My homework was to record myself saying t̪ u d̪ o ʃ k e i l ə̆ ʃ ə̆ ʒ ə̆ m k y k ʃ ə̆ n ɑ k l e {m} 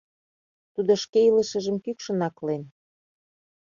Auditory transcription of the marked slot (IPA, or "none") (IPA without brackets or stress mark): n